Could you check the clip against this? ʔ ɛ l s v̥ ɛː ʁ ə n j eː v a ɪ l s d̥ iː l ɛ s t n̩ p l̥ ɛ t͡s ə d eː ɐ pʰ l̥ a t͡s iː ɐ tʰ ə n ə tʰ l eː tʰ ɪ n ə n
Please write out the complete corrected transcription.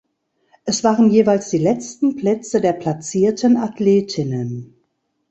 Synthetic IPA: ʔ ɛ s v̥ aː ʁ ə n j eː v a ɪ l s d̥ iː l ɛ t͡s t n̩ p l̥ ɛ t͡s ə d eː ɐ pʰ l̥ a t͡s iː ɐ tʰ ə n a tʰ l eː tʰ ɪ n ə n